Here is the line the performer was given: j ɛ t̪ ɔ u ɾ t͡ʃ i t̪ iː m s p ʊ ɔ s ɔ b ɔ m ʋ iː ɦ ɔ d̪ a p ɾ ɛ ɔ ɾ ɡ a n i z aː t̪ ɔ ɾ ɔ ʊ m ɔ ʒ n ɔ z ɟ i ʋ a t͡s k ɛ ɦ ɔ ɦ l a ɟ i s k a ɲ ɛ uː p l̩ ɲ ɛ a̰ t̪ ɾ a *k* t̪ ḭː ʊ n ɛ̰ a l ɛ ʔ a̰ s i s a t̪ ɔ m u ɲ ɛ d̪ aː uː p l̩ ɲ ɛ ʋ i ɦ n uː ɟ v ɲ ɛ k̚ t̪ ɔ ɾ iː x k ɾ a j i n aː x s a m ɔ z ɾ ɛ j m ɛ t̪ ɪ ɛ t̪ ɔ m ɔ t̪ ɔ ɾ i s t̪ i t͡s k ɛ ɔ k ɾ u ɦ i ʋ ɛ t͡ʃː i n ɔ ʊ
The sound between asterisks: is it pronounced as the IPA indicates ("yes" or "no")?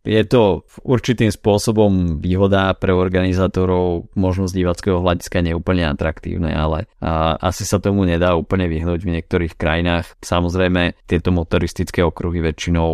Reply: yes